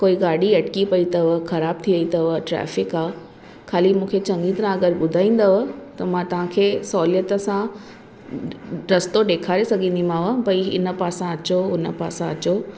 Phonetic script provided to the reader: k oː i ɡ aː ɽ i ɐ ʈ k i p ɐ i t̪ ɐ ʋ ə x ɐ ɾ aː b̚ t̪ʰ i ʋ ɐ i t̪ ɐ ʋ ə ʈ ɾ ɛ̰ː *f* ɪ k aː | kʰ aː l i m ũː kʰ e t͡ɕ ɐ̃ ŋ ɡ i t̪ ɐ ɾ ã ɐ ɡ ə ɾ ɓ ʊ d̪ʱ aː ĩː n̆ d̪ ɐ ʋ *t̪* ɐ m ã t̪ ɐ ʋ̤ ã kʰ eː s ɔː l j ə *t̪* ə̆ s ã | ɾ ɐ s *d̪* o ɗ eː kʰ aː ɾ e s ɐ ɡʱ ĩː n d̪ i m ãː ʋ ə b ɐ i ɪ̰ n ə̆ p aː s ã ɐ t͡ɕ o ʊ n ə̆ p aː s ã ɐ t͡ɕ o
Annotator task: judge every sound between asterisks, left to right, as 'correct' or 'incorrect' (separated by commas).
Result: correct, correct, correct, incorrect